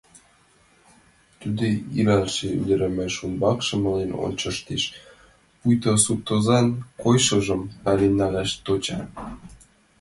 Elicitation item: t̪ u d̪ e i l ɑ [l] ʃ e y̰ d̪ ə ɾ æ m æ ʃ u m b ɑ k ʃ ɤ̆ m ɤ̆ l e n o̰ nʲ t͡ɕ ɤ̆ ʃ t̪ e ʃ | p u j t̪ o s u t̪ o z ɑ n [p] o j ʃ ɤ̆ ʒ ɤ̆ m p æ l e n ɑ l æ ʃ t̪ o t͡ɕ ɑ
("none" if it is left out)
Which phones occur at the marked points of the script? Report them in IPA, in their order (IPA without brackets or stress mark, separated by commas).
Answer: l, k